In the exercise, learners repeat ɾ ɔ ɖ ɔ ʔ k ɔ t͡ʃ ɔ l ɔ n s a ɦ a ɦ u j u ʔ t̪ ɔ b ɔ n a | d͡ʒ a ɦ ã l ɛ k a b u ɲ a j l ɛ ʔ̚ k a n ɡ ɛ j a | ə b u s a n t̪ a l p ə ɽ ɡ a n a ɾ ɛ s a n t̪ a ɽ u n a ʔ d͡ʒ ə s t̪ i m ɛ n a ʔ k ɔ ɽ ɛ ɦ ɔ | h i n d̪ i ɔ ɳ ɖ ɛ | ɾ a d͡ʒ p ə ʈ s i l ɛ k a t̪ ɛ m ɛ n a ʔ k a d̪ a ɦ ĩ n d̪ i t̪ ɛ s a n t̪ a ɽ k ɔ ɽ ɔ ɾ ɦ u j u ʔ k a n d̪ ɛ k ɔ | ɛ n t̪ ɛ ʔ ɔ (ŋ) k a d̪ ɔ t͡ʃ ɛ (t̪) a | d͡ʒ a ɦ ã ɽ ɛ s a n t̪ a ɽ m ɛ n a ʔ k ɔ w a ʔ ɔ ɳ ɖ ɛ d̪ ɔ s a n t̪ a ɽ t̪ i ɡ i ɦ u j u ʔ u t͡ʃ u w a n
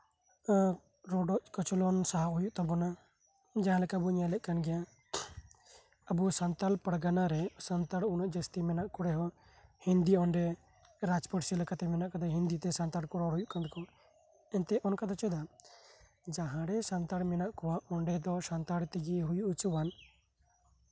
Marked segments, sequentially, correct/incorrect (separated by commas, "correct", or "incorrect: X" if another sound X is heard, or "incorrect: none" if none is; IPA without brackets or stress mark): incorrect: n, incorrect: d̪